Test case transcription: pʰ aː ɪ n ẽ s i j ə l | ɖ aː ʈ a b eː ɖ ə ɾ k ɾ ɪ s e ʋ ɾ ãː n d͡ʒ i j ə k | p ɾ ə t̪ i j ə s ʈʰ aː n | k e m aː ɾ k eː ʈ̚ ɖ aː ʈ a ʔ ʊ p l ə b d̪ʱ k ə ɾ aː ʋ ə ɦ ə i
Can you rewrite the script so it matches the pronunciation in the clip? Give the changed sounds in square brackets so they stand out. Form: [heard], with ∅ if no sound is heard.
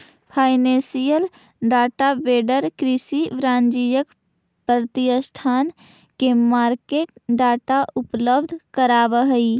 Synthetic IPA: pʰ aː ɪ n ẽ s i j ə l | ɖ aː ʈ a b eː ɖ ə ɾ k ɾ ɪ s [i] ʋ ɾ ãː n d͡ʒ i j ə k | p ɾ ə t̪ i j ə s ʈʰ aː n | k e m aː ɾ k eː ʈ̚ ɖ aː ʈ a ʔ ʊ p l ə b d̪ʱ k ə ɾ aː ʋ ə ɦ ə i